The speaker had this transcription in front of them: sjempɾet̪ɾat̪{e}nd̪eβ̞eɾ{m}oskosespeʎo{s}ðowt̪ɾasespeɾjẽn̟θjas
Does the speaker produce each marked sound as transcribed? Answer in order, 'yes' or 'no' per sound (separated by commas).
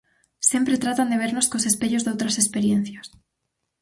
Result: no, no, no